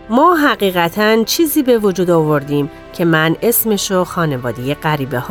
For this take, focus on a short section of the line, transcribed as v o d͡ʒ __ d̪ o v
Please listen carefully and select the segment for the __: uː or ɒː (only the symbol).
uː